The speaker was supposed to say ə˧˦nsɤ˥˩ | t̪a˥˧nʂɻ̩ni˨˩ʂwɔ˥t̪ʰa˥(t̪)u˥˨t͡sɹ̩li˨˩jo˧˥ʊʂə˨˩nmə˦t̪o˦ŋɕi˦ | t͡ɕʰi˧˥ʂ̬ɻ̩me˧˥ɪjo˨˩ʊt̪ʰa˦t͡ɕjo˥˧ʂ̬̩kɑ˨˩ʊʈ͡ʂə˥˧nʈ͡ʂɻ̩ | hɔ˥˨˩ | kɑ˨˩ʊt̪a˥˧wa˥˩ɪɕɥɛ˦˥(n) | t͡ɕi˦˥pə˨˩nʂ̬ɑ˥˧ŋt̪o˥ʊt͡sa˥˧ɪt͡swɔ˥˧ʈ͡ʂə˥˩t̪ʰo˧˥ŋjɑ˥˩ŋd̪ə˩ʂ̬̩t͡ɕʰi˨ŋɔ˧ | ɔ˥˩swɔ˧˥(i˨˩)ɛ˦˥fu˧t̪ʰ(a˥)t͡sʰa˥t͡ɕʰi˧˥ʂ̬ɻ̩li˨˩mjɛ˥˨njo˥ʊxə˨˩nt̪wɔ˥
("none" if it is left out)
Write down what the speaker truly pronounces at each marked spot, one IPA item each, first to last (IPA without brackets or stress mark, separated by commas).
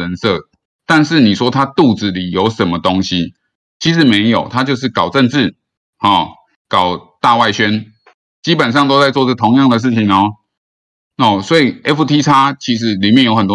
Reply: t̪, n, i˨˩, i˥